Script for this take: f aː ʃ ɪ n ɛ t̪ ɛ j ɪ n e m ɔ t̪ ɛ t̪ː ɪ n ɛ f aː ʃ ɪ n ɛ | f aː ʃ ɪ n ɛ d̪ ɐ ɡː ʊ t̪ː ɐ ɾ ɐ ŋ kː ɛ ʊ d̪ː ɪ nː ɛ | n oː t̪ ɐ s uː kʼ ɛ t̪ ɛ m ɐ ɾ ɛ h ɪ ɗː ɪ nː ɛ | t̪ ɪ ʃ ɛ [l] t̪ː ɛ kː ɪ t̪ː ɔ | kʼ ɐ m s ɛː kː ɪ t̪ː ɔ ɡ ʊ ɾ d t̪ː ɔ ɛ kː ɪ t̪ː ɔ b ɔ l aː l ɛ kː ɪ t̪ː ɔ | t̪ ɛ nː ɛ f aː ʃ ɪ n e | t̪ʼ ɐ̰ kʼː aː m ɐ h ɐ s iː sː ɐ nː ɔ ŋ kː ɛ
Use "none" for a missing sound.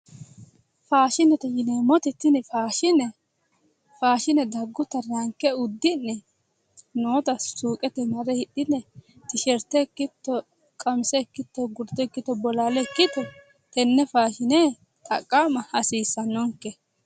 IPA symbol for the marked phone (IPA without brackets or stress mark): ɾ